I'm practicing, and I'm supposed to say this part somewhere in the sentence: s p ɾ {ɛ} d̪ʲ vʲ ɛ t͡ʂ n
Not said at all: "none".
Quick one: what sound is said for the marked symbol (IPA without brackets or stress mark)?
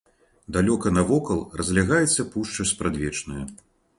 a